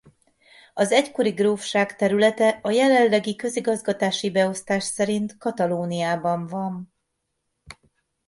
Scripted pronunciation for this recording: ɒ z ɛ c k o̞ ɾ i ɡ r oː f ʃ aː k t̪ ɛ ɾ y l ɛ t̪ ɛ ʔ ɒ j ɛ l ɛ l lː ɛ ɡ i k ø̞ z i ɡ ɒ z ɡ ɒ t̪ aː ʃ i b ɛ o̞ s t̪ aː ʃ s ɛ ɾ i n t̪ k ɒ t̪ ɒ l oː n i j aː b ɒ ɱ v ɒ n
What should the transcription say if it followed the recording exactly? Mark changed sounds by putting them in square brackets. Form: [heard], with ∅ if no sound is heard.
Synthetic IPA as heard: ɒ z ɛ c k o̞ ɾ i ɡ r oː f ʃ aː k t̪ ɛ ɾ y l ɛ t̪ ɛ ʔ ɒ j ɛ l ɛ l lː ɛ ɡ i k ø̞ z i ɡ ɒ z ɡ ɒ t̪ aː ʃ i b ɛ o̞ s t̪ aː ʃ s ɛ ɾ i n t̪ k ɒ t̪ ɒ l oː n i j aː b ɒ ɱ v ɒ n